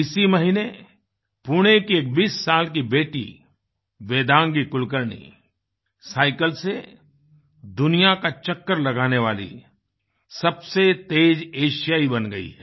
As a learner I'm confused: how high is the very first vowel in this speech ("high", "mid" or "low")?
high